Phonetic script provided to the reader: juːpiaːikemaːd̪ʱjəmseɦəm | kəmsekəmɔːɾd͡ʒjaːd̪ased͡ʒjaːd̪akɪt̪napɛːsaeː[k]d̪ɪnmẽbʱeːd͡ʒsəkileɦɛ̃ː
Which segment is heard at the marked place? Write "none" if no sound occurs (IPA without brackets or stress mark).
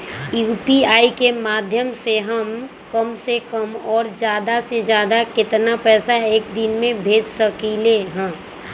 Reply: k